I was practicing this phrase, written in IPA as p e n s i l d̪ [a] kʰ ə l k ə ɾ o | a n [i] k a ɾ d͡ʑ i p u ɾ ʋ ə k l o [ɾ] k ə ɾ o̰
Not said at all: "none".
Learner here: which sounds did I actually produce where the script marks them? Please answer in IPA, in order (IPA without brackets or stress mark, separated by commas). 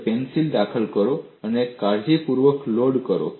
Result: a, e, ɽ